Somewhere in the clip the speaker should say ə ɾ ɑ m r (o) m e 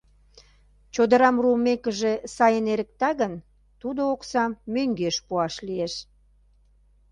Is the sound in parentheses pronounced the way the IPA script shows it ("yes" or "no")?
no